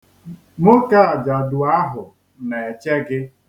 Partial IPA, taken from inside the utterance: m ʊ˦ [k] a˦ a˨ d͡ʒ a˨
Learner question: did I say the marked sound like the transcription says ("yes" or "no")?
yes